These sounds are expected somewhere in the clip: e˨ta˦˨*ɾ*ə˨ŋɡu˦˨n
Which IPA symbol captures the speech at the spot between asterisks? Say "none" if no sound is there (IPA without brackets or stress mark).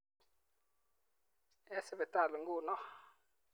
l